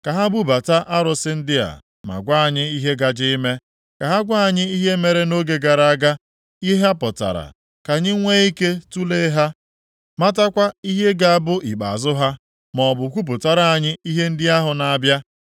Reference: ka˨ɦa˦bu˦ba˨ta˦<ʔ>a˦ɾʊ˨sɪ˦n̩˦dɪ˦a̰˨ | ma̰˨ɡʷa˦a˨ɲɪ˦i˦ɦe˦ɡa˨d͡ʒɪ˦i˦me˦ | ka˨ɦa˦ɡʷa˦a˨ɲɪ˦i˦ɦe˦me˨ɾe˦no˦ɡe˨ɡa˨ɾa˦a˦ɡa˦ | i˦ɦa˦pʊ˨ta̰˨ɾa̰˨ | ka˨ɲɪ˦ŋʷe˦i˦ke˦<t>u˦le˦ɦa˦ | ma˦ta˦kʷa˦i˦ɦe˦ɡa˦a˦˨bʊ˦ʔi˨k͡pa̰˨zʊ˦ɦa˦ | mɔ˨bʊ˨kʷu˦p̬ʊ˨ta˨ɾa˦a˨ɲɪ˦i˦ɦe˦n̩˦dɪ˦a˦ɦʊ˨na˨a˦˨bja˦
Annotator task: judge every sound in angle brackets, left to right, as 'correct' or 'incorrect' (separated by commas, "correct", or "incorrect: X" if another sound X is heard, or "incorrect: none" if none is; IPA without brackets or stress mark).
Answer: correct, correct